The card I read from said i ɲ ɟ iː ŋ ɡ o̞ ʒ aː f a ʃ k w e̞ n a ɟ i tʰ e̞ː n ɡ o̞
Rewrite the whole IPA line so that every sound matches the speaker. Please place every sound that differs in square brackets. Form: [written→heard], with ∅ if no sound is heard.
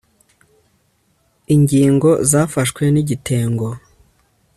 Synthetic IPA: i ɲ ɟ iː ŋ ɡ o̞ [ʒ→z] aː f a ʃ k w e̞ n [a→i] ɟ i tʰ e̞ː [n→ŋ] ɡ o̞